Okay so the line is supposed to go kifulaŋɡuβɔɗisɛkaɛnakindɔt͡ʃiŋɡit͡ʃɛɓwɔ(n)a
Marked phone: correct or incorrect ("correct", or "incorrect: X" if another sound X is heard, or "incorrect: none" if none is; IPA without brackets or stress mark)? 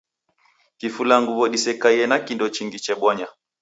incorrect: ɲ